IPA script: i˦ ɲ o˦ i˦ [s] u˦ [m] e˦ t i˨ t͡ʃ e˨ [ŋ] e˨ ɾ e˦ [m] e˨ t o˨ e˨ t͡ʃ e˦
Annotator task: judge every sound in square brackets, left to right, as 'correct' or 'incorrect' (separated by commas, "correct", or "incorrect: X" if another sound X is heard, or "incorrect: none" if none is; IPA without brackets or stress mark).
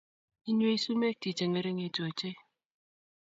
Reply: correct, correct, correct, incorrect: ŋ